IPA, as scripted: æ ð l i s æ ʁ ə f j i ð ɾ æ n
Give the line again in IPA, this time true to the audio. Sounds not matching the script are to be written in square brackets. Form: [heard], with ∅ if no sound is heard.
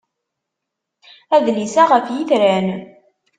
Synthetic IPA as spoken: æ ð l i s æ ʁ ə f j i [θ] ɾ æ n

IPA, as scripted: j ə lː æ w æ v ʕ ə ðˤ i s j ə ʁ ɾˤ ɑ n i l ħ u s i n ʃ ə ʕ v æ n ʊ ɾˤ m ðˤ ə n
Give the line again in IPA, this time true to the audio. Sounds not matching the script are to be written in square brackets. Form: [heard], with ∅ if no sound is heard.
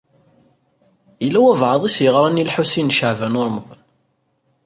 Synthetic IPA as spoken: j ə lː æ w æ v ʕ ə ðˤ i s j ə ʁ ɾˤ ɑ n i l ħ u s i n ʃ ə ʕ v æ n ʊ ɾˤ m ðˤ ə n

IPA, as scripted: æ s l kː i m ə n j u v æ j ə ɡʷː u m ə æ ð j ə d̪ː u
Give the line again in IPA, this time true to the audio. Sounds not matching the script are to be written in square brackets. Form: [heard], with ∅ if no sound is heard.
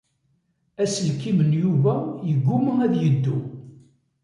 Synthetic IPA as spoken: æ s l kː i m ə n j u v æ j ə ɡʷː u m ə æ ð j ə d̪ː u

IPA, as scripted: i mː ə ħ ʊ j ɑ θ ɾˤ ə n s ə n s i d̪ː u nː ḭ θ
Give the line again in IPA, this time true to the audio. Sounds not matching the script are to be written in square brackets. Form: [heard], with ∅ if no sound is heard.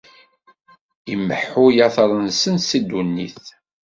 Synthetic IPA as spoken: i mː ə ħ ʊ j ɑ θ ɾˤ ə n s ə n s i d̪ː u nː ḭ θ

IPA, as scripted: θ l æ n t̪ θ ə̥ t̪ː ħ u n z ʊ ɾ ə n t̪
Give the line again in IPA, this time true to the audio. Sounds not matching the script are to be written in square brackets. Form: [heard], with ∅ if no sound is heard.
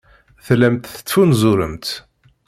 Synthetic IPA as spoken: θ l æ [m] t̪ θ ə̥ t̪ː [f] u n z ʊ ɾ ə [m] t̪

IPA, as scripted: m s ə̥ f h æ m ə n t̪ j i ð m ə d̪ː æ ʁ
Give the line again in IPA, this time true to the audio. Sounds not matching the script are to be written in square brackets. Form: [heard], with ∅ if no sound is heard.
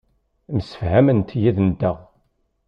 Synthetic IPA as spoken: m s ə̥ f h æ m ə n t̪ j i ð [n] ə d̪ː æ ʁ

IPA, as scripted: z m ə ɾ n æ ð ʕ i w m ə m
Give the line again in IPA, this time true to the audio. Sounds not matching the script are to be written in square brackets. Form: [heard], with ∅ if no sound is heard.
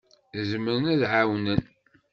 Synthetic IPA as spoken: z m ə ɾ n æ ð ʕ [a] w [n] ə [n]

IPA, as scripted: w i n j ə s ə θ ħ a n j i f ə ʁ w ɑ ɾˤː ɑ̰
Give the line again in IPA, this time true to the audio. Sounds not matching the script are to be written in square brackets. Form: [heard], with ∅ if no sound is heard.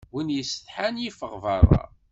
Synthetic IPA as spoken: w i n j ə s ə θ ħ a n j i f ə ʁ [v] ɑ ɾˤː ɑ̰

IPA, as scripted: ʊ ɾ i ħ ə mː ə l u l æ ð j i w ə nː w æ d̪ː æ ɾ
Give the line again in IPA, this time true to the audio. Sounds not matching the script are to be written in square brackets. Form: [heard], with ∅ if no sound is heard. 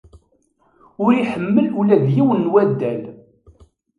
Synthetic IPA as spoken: ʊ ɾ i ħ ə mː ə l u l æ ð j i w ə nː w æ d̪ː æ [l]

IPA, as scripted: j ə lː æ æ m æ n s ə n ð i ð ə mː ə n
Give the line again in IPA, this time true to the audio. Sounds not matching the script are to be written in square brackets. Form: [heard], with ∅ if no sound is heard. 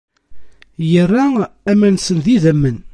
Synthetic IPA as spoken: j ə [rː] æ æ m æ n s ə n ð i ð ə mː ə n

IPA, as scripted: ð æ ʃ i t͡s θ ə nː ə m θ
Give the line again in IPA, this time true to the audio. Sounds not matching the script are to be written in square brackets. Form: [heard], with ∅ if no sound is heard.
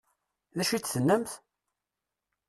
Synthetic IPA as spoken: ð æ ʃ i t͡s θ ə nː ə m θ

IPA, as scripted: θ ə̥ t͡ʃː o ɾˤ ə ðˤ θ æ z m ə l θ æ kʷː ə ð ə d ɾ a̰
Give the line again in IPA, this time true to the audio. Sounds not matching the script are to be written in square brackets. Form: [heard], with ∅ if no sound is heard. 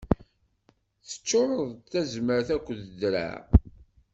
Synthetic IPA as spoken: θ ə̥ t͡ʃː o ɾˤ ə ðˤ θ æ z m ə [ɾ] θ æ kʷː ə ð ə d ɾ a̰

